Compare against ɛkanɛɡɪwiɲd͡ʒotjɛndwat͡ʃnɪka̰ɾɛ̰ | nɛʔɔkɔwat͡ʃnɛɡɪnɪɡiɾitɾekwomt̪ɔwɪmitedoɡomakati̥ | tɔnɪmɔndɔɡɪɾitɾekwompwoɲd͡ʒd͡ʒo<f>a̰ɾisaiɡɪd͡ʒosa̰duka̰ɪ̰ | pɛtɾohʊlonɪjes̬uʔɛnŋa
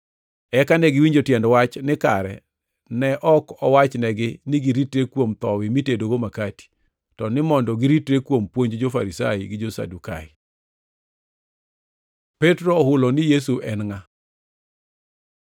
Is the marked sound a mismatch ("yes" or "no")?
no